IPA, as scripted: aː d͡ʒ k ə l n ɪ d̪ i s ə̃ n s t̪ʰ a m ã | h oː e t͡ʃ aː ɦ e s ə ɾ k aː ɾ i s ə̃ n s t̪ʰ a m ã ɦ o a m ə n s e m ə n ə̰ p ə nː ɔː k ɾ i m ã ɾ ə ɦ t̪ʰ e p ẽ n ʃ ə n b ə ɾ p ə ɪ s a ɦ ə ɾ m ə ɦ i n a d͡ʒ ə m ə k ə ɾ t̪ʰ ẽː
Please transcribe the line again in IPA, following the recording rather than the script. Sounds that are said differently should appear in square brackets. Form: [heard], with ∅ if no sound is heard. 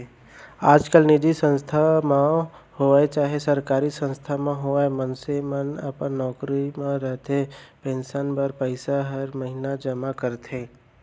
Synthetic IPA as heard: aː d͡ʒ k ə l n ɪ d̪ i s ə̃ n s t̪ʰ a m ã | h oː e t͡ʃ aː ɦ e s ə ɾ k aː ɾ i s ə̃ n s t̪ʰ a m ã ɦ o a m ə n s e m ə n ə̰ p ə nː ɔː k ɾ i m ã ɾ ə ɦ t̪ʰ e p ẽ n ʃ ə n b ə ɾ p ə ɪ s a ɦ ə ɾ m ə ɦ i n a d͡ʒ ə m [a] k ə ɾ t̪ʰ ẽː